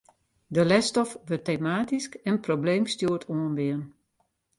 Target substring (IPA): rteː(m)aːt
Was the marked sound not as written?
no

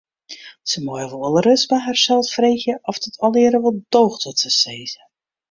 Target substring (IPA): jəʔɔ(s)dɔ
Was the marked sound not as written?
yes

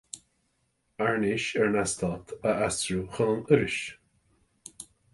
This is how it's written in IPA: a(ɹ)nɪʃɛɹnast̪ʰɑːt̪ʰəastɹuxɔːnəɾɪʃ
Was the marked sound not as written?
no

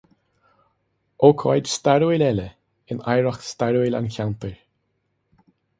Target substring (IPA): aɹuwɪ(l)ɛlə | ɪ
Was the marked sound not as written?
no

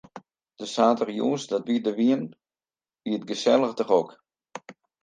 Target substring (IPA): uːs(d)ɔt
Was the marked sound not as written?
no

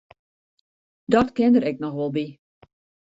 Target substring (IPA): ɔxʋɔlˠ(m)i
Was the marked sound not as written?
yes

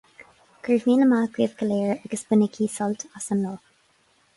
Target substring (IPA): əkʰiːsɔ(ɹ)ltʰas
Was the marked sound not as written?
yes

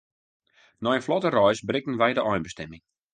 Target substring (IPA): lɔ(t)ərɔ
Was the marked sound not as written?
no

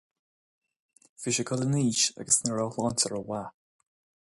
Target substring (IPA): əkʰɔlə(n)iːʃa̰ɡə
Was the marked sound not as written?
no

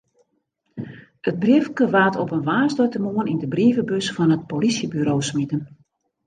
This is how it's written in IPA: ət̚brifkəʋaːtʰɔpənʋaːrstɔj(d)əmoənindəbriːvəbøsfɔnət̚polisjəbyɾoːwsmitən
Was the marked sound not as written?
yes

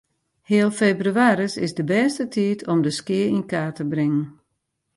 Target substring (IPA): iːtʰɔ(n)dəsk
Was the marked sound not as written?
yes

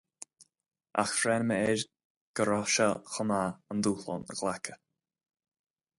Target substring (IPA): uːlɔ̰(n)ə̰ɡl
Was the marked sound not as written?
no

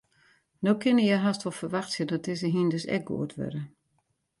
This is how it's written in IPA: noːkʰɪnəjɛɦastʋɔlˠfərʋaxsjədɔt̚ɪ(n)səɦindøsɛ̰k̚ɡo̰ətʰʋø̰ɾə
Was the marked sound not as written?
yes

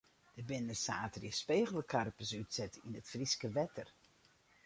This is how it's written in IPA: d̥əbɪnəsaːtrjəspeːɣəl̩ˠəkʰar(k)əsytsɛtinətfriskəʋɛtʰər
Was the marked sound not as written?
yes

